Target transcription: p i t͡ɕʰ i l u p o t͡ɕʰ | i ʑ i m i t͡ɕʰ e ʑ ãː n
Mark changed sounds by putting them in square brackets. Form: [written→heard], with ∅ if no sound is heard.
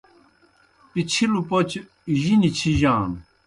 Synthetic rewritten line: p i t͡ɕʰ i l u p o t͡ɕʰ | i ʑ i [m→n] i t͡ɕʰ [e→i] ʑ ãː n